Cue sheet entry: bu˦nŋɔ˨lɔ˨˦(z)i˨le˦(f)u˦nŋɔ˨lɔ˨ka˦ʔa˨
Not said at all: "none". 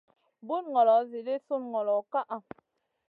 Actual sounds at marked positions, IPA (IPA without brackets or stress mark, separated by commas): z, s